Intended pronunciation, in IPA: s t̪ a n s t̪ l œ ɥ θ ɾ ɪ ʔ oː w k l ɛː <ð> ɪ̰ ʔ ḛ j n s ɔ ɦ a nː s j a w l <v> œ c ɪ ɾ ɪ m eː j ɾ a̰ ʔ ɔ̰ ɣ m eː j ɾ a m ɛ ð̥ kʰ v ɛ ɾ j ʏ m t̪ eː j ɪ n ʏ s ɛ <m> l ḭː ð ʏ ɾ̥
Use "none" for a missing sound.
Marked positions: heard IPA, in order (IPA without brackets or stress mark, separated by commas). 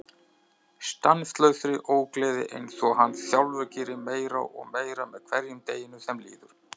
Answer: ð, v, m